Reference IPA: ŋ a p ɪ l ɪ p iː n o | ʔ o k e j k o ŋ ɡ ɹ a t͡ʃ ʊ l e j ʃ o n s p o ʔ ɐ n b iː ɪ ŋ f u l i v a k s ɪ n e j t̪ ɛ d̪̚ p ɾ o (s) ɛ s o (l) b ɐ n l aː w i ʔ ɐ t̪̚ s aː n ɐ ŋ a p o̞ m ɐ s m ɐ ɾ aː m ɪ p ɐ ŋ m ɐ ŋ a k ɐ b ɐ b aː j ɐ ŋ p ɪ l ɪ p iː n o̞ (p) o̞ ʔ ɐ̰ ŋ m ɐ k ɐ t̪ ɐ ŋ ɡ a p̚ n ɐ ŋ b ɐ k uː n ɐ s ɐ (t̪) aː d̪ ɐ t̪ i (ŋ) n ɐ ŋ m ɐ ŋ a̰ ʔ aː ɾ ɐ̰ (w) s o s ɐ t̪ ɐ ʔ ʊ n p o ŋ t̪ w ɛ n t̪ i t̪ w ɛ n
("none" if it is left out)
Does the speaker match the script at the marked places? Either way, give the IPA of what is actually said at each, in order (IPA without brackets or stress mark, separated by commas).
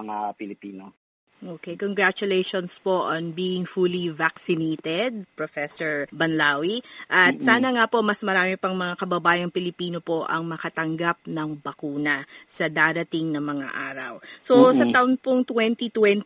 f, ɹ, p, d̪, ŋ, w